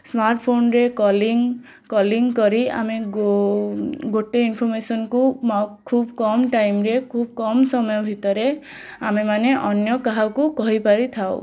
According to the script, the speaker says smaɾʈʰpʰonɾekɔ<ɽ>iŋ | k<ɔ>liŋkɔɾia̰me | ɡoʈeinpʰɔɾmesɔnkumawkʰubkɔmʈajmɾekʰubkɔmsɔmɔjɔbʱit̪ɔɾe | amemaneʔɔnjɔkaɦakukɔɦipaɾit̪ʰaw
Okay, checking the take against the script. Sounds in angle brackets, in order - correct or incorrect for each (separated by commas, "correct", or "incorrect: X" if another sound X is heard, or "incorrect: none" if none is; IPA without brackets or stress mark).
incorrect: l, correct